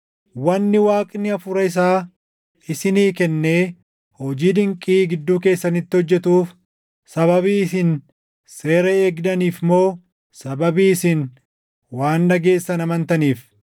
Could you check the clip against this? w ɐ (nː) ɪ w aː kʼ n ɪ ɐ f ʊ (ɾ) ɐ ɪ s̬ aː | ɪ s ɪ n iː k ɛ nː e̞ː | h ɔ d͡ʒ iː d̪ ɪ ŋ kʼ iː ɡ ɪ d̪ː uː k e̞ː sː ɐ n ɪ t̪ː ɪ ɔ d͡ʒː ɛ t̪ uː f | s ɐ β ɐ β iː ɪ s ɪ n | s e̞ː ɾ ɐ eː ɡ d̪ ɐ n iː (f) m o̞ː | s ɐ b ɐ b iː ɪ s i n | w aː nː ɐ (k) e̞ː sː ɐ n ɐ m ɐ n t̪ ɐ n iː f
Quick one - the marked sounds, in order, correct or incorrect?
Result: correct, correct, correct, incorrect

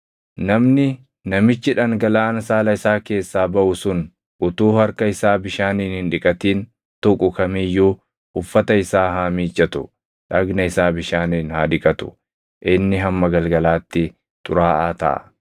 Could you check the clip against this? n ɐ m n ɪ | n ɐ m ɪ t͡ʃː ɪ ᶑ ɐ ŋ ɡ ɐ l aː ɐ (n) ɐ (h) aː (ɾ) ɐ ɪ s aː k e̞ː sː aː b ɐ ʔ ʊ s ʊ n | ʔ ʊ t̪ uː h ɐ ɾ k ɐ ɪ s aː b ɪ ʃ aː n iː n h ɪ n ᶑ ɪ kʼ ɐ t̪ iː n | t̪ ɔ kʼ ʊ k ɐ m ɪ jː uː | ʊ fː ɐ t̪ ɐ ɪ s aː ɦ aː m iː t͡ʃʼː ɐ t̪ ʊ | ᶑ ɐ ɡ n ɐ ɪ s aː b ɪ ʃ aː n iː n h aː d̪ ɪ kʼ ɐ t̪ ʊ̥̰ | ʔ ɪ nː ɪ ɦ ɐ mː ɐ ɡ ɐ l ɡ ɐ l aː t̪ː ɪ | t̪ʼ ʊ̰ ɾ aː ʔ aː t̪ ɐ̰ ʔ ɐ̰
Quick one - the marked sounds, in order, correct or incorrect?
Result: correct, incorrect, incorrect

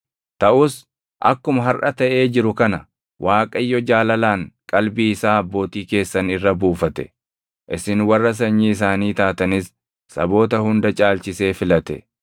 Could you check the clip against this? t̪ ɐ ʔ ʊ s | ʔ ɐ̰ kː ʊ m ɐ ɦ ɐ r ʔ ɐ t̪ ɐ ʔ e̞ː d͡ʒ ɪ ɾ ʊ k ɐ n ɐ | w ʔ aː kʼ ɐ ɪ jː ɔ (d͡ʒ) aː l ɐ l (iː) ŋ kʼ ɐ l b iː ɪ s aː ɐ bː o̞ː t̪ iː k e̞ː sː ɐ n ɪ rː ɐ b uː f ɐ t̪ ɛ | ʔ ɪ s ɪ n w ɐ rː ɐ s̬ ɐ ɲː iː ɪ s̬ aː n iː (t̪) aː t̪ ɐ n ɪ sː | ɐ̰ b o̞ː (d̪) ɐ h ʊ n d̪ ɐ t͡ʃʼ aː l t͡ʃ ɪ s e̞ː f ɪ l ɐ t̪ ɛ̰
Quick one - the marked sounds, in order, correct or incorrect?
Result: correct, incorrect, correct, incorrect

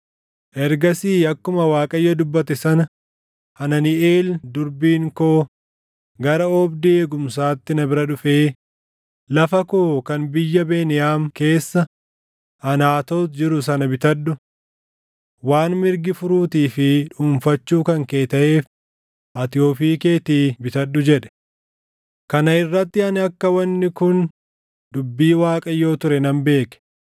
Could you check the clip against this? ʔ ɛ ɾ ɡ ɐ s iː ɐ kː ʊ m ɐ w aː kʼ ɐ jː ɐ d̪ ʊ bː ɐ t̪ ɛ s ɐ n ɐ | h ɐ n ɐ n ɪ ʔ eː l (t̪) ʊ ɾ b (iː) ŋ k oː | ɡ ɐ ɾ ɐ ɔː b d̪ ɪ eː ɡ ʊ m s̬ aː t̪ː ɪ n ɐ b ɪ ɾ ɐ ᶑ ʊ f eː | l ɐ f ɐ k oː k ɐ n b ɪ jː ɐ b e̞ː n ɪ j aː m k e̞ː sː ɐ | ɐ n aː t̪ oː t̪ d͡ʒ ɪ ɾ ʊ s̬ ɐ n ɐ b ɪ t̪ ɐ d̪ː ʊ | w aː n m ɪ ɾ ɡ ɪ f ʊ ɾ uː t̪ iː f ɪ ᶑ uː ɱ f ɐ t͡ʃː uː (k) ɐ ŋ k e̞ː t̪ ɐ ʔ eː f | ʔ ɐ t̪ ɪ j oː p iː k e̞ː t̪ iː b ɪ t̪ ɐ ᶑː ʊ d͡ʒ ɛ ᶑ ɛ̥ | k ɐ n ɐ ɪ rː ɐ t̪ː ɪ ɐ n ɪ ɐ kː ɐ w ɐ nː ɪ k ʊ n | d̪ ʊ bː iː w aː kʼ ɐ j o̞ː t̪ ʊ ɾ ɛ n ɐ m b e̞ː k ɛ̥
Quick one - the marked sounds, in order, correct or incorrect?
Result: incorrect, correct, correct

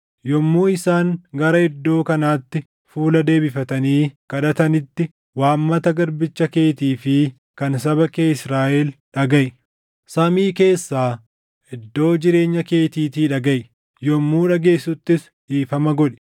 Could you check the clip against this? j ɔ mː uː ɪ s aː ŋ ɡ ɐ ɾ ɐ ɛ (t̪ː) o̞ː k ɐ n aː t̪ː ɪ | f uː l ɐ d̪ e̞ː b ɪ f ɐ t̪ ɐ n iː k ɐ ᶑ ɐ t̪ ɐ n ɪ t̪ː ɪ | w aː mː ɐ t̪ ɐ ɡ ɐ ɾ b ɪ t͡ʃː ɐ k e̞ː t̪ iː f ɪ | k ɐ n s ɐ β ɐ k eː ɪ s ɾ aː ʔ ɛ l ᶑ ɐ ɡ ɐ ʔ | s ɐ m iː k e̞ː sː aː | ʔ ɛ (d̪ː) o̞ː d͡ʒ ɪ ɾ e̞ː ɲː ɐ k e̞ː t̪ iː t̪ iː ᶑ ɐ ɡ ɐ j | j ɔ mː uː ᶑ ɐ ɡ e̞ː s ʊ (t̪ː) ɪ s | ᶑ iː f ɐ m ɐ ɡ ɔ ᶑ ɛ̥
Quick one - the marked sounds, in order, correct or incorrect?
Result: incorrect, correct, correct

